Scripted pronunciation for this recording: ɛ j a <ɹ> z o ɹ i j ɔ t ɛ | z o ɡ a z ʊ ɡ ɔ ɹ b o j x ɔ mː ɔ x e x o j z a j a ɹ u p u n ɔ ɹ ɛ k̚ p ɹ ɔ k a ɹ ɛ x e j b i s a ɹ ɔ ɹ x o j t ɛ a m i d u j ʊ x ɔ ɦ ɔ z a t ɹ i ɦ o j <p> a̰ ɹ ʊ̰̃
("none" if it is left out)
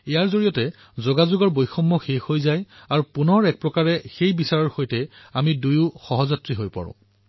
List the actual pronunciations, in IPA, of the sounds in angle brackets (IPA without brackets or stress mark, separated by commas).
ɹ, p